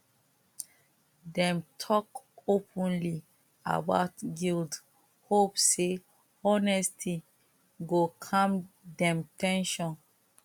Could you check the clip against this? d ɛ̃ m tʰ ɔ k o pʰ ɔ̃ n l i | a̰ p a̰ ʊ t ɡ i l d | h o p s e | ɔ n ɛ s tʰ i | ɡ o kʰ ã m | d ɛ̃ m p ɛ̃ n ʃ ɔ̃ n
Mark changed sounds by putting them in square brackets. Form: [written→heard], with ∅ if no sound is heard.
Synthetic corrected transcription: d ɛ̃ m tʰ ɔ k o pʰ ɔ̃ n l i | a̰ [p→b] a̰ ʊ t ɡ i l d | h o p s e | ɔ n ɛ s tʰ i | ɡ o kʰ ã m | d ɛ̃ m [p→t] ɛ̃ n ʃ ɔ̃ n